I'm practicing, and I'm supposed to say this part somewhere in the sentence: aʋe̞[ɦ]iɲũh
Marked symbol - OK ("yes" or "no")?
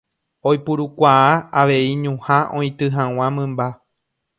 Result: no